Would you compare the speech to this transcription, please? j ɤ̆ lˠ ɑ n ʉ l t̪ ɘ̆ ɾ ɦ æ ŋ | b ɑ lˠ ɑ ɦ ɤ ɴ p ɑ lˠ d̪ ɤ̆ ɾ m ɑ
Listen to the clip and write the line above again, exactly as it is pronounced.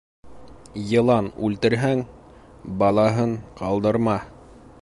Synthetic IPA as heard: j ɤ̆ lˠ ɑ n ʉ l t̪ ɘ̆ ɾ ɦ æ ŋ | b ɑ lˠ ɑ ɦ ɤ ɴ q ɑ lˠ d̪ ɤ̆ ɾ m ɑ